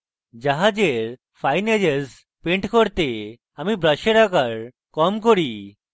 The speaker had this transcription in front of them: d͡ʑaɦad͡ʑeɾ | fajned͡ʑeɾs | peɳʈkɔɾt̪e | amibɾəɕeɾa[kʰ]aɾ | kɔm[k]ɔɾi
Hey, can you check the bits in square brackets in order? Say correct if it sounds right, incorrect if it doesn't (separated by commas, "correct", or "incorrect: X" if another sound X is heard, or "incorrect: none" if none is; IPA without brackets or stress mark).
incorrect: k, correct